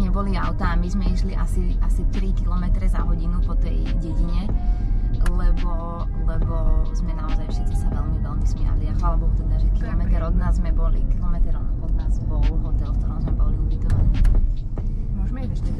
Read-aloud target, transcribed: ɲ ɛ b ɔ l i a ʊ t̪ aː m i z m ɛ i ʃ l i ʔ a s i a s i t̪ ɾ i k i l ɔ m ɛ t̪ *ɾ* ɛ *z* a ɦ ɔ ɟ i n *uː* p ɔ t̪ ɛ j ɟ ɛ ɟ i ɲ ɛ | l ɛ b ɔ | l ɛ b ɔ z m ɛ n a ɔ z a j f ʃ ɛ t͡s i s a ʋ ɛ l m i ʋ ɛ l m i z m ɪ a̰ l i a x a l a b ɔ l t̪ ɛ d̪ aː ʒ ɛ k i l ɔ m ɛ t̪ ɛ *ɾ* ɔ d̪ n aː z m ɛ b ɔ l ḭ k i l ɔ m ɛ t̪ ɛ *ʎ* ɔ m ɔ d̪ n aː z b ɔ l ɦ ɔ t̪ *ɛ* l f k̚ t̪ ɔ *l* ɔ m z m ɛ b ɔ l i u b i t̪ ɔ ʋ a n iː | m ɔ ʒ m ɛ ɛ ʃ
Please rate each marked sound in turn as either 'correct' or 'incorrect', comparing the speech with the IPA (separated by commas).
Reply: correct, correct, incorrect, correct, incorrect, correct, incorrect